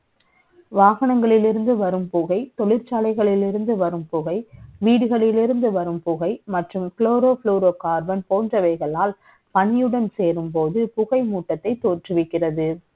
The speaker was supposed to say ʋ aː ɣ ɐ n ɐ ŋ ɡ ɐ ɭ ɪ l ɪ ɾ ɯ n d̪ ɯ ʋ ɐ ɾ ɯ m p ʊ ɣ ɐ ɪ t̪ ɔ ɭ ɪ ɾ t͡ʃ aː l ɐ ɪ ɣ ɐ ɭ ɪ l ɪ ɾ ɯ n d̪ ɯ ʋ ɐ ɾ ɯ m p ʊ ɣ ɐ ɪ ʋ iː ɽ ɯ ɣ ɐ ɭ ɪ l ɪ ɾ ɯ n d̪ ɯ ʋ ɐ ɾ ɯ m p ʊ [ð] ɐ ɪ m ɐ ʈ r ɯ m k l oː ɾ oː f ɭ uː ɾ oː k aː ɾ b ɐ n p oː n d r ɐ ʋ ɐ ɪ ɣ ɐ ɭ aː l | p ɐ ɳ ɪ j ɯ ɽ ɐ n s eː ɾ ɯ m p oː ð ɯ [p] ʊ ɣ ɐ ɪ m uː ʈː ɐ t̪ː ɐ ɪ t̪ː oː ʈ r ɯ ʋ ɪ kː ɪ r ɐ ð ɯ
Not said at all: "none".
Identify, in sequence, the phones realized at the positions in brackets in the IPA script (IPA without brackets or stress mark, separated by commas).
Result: ɣ, p